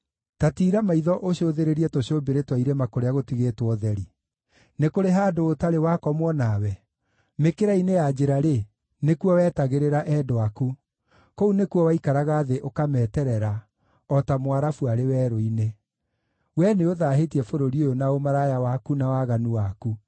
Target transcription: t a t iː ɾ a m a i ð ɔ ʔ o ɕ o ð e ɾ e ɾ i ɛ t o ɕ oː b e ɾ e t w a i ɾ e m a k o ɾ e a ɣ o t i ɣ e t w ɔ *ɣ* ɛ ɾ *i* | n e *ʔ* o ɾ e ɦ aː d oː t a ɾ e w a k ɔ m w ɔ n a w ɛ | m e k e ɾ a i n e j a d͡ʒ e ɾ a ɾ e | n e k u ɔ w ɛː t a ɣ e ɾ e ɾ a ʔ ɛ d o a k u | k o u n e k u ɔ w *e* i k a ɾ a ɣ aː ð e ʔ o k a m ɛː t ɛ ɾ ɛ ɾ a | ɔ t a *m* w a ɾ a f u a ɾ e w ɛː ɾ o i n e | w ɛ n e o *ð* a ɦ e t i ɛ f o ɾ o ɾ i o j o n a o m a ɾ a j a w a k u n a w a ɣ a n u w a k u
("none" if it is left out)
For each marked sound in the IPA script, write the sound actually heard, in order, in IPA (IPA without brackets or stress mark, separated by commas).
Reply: ð, i, k, a, m, ð